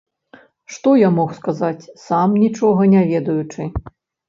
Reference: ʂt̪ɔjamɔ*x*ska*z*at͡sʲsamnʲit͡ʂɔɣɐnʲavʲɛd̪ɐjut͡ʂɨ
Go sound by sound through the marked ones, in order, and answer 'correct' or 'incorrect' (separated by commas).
correct, correct